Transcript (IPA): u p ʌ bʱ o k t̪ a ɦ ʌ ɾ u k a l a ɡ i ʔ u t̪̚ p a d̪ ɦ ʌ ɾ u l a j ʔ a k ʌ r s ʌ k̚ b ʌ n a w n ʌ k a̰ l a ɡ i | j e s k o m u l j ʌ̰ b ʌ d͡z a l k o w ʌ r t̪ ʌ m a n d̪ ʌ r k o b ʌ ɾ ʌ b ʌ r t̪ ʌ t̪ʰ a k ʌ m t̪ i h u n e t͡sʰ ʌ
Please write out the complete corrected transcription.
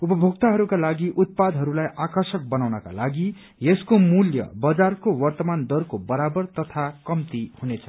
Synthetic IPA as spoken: u p ʌ bʱ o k t̪ a ɦ ʌ ɾ u k a l a ɡ i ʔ u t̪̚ p a d̪ ɦ ʌ ɾ u l a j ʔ a k ʌ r s ʌ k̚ b ʌ n a w n ʌ k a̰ l a ɡ i | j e s k o m u l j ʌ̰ b ʌ d͡z a r k o w ʌ r t̪ ʌ m a n d̪ ʌ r k o b ʌ ɾ a b ʌ r t̪ ʌ t̪ʰ a k ʌ m t̪ i h u n e t͡sʰ ʌ